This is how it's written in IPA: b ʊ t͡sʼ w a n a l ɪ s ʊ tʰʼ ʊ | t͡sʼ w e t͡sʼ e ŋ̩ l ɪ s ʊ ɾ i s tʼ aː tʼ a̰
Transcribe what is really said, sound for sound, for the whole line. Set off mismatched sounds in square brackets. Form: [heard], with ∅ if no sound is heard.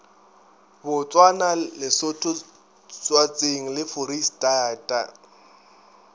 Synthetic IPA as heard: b ʊ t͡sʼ w a n a l ɪ s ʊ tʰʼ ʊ | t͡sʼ w [a] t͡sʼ e ŋ̩ l ɪ [f] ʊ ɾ i s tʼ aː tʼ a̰